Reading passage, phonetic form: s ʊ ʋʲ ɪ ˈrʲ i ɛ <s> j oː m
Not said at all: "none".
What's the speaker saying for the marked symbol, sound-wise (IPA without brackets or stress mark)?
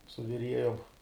none